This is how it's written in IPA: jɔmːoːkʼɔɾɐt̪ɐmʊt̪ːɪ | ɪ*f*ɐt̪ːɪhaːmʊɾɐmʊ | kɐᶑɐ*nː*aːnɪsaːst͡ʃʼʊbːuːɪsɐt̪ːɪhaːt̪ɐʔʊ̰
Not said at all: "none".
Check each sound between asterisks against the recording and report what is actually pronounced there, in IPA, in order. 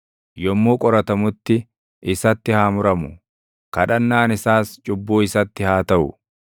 s, nː

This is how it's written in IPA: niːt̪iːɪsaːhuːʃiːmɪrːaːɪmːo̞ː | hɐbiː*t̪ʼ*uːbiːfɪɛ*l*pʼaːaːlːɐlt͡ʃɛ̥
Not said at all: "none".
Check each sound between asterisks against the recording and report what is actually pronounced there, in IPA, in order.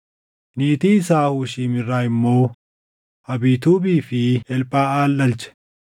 t̪, l

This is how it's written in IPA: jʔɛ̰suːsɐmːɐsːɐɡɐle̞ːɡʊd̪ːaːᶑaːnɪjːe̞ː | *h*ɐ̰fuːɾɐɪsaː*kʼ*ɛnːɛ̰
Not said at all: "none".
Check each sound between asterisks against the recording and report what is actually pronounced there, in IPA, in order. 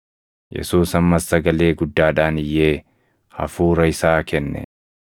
h, k

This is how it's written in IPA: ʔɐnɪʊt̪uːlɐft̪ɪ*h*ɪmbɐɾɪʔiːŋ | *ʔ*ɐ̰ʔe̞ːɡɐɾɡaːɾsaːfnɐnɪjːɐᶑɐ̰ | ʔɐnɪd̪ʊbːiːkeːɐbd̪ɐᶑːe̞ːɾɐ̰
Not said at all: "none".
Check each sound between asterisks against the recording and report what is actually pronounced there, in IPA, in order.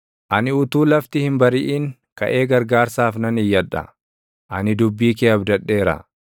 h, k

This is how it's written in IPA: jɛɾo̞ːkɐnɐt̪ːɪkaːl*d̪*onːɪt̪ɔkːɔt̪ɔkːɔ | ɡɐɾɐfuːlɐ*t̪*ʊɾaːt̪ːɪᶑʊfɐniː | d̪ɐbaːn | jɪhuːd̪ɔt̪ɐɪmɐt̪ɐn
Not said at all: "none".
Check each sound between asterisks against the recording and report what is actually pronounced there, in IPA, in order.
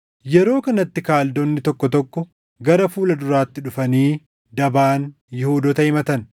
d̪, d̪

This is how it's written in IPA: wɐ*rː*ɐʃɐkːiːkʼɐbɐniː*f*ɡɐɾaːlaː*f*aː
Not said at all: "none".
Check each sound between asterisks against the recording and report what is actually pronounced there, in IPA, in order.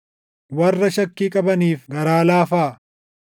rː, f, f

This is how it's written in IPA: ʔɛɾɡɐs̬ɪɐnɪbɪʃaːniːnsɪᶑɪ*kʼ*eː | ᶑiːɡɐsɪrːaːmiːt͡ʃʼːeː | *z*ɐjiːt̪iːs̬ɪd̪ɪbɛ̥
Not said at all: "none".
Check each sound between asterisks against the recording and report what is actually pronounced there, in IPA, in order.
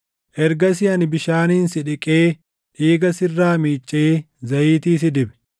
kʼ, z

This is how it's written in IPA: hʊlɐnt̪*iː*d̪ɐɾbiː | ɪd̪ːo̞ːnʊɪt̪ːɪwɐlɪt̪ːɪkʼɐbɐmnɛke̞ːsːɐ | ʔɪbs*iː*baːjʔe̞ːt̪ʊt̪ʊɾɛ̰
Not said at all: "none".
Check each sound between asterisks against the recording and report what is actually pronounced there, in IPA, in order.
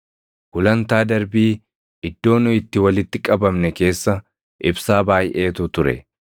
aː, aː

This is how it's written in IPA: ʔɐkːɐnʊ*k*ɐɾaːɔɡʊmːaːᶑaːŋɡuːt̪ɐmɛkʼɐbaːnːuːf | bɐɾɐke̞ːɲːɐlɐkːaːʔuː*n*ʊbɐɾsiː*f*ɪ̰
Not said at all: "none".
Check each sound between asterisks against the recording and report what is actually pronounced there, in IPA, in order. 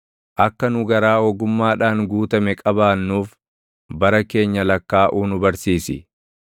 ɡ, n, s

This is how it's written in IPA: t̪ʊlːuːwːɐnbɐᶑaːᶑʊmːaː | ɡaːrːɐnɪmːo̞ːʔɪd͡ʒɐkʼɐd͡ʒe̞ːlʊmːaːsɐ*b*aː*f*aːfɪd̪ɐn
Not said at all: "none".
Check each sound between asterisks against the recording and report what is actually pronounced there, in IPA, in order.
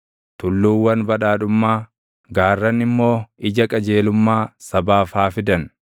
b, f

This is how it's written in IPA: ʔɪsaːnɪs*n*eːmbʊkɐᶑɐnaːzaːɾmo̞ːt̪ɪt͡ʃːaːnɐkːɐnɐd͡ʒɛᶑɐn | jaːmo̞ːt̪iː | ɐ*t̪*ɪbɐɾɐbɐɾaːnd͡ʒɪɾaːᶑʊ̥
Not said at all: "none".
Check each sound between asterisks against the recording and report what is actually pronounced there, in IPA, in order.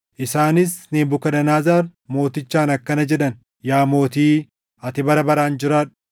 n, t̪

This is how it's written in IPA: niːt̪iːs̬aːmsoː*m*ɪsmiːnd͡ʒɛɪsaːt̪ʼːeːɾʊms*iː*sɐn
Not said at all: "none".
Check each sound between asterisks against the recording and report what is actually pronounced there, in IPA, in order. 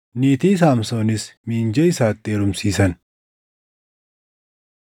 n, iː

